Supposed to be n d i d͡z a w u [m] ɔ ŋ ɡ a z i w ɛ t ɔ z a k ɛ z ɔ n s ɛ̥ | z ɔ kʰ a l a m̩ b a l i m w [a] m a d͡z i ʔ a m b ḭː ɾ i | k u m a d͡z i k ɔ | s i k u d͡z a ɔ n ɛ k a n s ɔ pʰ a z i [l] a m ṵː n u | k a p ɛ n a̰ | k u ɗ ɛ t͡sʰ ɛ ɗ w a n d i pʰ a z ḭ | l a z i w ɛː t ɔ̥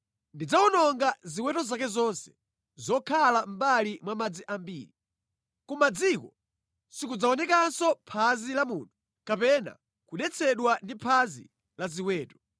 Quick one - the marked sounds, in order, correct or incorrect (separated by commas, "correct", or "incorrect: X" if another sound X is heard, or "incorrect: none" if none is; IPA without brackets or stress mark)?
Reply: incorrect: n, correct, correct